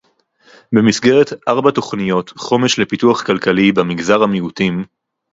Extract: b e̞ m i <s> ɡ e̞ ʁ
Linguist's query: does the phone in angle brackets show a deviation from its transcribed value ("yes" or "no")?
no